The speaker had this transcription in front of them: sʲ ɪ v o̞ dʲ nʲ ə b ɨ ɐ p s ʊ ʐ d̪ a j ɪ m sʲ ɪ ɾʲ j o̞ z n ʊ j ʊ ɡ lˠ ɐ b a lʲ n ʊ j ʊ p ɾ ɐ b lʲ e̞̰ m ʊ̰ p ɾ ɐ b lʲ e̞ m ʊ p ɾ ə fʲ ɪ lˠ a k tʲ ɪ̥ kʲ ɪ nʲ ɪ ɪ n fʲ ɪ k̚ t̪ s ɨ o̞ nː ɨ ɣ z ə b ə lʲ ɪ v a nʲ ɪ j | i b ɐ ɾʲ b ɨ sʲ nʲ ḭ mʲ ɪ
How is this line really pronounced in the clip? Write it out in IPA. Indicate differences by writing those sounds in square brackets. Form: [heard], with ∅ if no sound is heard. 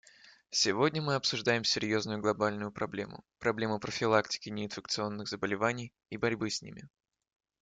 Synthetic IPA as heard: sʲ ɪ v o̞ dʲ nʲ ə [m] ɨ ɐ p s ʊ ʐ d̪ a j ɪ m sʲ ɪ ɾʲ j o̞ z n ʊ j ʊ ɡ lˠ ɐ b a lʲ n ʊ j ʊ p ɾ ɐ b lʲ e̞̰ m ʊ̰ p ɾ ɐ b lʲ e̞ m ʊ p ɾ ə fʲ ɪ lˠ a k tʲ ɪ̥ kʲ ɪ nʲ ɪ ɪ n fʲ ɪ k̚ t̪ s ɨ o̞ nː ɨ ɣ z ə b ə lʲ ɪ v a nʲ ɪ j | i b ɐ ɾʲ b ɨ sʲ nʲ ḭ mʲ ɪ